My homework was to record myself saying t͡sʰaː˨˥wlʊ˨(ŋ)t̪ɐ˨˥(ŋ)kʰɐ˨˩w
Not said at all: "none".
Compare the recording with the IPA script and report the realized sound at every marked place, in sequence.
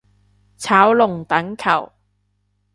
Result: ŋ, ŋ

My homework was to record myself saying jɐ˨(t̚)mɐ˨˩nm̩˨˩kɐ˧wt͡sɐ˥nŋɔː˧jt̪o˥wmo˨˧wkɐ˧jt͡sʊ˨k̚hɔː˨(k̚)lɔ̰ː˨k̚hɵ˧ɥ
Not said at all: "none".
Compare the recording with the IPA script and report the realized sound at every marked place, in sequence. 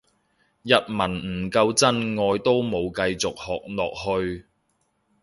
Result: t̚, k̚

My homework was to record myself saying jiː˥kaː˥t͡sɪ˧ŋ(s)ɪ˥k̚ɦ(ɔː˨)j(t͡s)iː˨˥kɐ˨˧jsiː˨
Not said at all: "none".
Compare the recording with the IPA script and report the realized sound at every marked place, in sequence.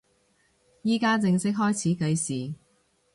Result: s, ɔː˥, t͡sʰ

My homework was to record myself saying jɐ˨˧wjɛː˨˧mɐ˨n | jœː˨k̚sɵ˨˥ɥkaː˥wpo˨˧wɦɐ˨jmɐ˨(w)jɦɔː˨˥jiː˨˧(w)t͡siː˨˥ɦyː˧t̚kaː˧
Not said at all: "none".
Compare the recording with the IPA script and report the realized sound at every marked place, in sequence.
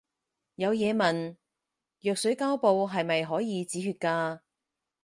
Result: none, none

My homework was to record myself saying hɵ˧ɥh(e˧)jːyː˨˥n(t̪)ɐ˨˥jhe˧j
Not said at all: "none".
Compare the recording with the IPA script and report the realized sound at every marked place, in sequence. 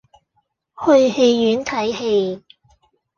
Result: e˧, t̪ʰ

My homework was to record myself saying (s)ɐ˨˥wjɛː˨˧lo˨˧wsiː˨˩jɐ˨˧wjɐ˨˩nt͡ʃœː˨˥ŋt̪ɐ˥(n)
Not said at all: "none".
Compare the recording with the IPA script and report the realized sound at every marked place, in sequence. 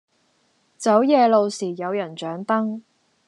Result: t͡s, ŋ

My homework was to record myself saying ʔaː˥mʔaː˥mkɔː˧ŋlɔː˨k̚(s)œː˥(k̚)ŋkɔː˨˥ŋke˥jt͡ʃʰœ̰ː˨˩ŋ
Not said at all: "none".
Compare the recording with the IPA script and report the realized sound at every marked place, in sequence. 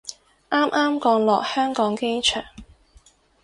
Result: h, none

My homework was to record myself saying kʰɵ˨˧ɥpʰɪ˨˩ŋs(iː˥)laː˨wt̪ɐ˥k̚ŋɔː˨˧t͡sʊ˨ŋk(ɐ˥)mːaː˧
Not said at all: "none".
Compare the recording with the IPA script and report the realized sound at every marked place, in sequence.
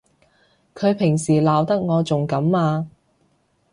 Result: iː˨˩, ɐ˨˥

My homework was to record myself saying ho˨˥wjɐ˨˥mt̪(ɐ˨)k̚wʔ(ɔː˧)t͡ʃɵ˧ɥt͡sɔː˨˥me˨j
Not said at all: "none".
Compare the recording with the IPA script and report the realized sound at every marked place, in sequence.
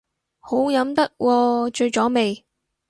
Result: ɐ˥, ɔː˧

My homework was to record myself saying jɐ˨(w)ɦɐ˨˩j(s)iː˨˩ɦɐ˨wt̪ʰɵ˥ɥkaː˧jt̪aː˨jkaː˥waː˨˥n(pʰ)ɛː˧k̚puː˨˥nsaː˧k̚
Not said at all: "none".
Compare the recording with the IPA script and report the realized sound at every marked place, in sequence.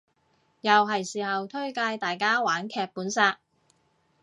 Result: w, s, kʰ

